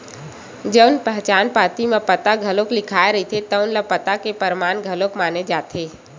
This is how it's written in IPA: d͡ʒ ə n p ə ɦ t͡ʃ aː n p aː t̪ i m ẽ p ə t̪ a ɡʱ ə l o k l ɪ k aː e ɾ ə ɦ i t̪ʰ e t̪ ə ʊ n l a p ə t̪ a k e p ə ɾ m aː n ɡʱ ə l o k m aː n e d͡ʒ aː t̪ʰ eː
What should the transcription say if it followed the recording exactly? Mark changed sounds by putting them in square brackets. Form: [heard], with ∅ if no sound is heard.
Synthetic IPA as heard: d͡ʒ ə n p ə ɦ t͡ʃ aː n p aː t̪ i m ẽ p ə t̪ a ɡʱ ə l o k l ɪ [kʰ] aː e ɾ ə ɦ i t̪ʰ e t̪ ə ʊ n l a p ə t̪ a k e p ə ɾ m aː n ɡʱ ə l o k m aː n e d͡ʒ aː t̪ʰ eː